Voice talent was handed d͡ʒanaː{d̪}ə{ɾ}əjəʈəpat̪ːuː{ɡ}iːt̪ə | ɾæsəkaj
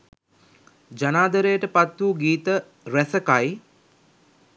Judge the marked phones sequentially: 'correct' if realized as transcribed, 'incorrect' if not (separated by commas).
correct, correct, correct